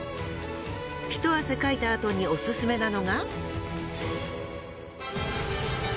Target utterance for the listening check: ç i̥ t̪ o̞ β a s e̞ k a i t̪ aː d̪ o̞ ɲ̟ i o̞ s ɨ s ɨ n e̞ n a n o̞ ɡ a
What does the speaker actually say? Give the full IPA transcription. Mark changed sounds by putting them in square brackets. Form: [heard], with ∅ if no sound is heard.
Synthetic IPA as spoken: ç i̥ t̪ o̞ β a s e̞ k a i t̪ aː [t̪] o̞ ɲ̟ i o̞ s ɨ s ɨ [m] e̞ n a n o̞ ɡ a